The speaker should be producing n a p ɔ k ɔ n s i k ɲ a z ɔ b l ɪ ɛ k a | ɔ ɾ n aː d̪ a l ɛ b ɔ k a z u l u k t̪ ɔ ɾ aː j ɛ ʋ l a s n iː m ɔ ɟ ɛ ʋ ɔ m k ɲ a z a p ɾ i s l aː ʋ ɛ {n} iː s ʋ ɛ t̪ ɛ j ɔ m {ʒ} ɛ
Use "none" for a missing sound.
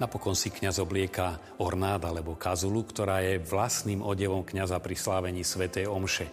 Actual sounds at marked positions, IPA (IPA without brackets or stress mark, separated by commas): ɲ, ʃ